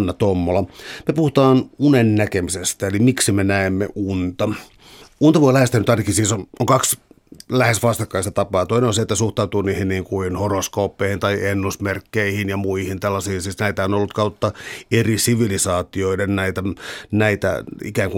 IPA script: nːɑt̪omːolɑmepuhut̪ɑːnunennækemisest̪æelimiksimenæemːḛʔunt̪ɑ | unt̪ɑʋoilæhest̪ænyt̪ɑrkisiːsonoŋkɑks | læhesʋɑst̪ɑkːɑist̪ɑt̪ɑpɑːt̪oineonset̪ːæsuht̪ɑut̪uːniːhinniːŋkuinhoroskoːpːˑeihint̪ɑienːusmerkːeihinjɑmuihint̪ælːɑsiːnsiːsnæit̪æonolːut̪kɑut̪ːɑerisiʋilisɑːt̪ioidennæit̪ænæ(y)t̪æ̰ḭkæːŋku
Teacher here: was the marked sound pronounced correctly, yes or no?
no